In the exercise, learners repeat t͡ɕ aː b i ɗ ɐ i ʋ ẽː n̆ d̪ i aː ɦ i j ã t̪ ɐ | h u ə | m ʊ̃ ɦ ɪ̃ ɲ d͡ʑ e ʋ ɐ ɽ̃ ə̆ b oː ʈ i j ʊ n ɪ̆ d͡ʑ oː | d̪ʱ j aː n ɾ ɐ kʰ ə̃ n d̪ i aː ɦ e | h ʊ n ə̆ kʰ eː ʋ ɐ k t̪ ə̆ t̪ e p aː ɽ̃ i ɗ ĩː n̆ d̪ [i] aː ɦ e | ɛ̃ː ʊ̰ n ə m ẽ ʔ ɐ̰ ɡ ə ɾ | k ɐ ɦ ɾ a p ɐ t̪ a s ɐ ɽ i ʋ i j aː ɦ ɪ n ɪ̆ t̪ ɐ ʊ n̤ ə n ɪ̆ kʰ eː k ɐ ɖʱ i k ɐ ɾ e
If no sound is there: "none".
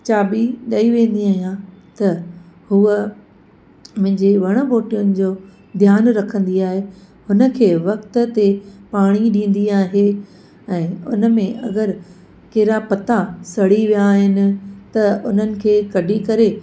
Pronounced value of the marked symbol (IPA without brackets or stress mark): i